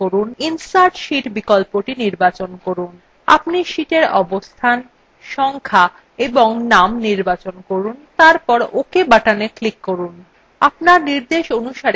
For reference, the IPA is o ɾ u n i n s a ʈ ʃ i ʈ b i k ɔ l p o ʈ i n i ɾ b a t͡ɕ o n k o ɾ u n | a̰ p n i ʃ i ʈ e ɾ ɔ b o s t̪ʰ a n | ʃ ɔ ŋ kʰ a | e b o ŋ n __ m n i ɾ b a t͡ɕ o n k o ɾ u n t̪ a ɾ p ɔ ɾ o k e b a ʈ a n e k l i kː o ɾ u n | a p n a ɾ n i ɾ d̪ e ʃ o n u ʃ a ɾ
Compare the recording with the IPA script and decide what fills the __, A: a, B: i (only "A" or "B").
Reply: A